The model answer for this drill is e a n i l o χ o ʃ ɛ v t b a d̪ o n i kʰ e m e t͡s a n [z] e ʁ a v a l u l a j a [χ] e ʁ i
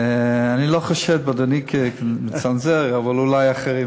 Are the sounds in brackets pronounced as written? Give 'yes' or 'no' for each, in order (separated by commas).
yes, yes